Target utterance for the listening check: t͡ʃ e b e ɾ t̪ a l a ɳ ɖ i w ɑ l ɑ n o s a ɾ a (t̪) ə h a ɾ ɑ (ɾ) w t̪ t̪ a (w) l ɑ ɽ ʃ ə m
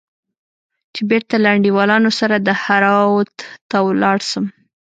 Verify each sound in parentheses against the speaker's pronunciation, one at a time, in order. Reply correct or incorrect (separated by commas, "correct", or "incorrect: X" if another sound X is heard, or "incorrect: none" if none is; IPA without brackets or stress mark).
incorrect: d̪, incorrect: none, correct